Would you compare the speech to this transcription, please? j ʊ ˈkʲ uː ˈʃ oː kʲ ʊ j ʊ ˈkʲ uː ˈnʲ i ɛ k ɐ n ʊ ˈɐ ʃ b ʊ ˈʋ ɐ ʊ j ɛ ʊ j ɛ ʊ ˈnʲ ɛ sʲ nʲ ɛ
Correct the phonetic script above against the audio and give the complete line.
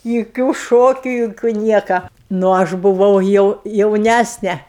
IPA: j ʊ ˈkʲ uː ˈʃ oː kʲ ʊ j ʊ ˈkʲ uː ˈnʲ i ɛ k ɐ n ʊ ˈɐ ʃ b ʊ ˈʋ ɐ ʊ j ɛ ʊ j ɛ ʊ ˈnʲ æ sʲ nʲ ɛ